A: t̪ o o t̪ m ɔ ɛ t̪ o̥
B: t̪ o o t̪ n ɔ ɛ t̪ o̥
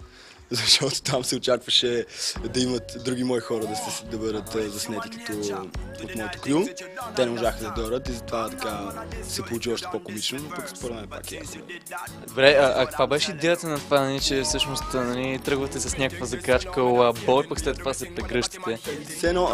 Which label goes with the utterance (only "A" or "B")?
A